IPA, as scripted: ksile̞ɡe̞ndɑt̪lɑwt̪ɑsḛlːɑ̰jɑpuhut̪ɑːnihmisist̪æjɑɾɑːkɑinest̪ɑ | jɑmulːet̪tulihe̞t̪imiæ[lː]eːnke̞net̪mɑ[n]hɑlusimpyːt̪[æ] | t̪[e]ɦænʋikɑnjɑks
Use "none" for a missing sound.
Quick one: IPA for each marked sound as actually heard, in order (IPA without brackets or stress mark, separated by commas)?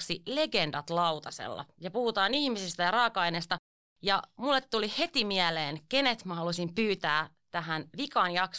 l, none, æː, æ